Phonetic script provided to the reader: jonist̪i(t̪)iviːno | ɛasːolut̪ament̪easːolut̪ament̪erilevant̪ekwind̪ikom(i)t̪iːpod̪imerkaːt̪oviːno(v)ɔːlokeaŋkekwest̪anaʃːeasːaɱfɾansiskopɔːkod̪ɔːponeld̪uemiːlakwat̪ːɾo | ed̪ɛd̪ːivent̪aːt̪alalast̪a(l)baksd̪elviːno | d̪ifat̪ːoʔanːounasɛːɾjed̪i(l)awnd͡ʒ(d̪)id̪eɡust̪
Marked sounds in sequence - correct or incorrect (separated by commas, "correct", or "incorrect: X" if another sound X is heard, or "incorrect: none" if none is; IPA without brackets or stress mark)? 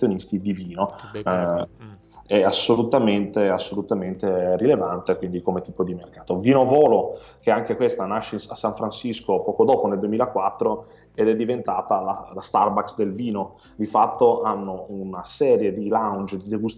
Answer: incorrect: d̪, incorrect: e, correct, incorrect: r, correct, correct